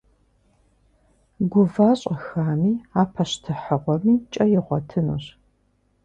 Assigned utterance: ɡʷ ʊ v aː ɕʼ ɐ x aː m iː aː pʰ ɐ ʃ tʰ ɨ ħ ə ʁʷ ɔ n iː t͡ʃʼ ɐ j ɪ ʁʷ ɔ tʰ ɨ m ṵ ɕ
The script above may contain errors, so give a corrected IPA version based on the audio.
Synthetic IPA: ɡʷ ʊ v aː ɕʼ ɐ x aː m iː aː pʰ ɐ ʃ tʰ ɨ ħ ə ʁʷ ɔ m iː t͡ʃʼ ɐ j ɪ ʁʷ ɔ tʰ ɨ n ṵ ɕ

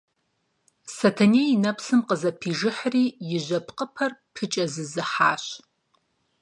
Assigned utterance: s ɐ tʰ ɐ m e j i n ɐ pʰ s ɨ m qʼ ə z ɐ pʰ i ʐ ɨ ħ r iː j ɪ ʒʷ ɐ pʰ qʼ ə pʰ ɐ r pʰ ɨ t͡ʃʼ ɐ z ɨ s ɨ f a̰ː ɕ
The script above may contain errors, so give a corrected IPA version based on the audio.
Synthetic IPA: s ɐ tʰ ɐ n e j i n ɐ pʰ s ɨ m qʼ ə z ɐ pʰ i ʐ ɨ ħ r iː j ɪ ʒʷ ɐ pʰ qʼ ə pʰ ɐ r pʰ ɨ t͡ʃʼ ɐ z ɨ z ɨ ħ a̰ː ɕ

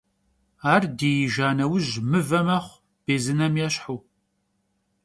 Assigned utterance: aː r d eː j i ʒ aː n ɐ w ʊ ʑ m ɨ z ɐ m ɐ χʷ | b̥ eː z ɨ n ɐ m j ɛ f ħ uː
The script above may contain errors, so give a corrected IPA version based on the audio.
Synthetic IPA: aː r d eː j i ʒ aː n ɐ w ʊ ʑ m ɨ v ɐ m ɐ χʷ | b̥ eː z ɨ n ɐ m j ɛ ɕ ħ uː

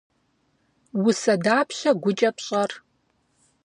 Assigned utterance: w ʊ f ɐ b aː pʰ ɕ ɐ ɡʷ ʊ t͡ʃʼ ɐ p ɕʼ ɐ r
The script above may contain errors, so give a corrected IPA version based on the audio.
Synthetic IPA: w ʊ s ɐ d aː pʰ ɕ ɐ ɡʷ ʊ t͡ʃʼ ɐ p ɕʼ ɐ r

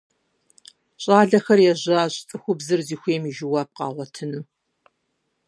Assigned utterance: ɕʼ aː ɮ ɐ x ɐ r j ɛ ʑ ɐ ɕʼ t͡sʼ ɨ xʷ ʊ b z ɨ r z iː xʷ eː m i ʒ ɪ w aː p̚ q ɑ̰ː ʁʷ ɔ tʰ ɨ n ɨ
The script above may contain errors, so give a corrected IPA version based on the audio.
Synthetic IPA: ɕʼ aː ɮ ɐ x ɐ r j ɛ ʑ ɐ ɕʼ t͡sʼ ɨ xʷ ʊ b z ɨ r z iː xʷ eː m i ʒ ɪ w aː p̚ q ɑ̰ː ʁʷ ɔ tʰ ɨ n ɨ

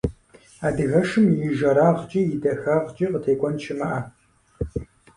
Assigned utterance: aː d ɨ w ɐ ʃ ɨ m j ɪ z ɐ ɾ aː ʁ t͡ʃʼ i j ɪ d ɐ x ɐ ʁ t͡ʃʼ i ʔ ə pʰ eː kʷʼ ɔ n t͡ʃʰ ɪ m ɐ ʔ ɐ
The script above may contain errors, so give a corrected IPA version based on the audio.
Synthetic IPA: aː d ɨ ɣ ɐ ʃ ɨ m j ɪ ʒ ɐ ɾ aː ʁ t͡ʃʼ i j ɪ d ɐ x ɐ ʁ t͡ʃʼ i q ə tʰ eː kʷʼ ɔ n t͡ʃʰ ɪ m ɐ ʔ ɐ

